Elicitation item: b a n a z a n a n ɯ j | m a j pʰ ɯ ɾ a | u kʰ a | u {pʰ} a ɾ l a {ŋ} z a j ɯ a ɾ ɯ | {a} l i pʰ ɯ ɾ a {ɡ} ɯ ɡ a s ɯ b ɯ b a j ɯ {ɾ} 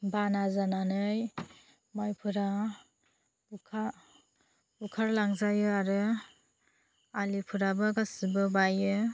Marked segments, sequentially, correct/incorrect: incorrect, correct, correct, incorrect, incorrect

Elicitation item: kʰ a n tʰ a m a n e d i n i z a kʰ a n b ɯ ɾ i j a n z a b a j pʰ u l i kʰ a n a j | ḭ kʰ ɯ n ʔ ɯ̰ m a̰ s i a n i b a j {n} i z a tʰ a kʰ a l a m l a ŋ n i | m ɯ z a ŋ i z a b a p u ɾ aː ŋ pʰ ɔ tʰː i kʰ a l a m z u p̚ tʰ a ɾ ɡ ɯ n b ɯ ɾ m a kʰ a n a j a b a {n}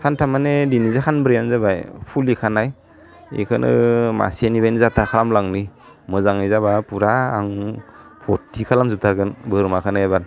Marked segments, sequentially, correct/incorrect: correct, correct

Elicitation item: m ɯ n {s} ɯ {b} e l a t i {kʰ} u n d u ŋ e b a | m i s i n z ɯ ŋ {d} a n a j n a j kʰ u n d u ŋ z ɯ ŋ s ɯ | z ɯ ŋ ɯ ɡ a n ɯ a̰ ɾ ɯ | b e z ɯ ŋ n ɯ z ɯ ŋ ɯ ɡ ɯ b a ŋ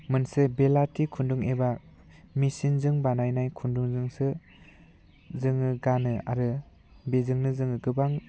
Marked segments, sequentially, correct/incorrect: correct, correct, correct, incorrect

